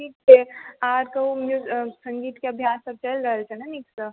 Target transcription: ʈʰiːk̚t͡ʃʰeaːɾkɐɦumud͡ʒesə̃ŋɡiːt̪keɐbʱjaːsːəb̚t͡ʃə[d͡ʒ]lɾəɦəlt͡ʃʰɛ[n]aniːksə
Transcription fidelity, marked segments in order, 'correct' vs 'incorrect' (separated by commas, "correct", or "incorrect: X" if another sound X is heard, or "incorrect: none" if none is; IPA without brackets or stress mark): incorrect: none, correct